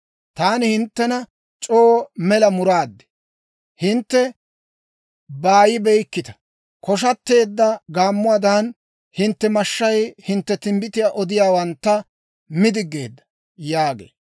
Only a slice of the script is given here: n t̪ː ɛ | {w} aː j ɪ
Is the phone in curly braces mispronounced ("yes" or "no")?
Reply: yes